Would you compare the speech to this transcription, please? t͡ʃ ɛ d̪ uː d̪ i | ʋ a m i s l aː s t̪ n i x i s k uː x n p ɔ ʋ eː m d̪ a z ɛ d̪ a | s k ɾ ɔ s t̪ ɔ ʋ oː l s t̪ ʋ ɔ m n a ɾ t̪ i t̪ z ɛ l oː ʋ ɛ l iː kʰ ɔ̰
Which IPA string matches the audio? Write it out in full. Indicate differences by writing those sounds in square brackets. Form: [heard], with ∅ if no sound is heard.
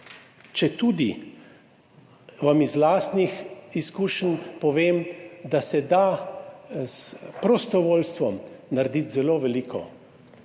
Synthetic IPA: t͡ʃ ɛ [t̪] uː d̪ i | ʋ a m i [z] l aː s t̪ n i x i s k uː [ʃ] n p ɔ ʋ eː m d̪ a [s] ɛ d̪ a | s [p] ɾ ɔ s t̪ ɔ ʋ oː l s t̪ ʋ ɔ m n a ɾ [d̪] i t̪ z ɛ l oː ʋ ɛ l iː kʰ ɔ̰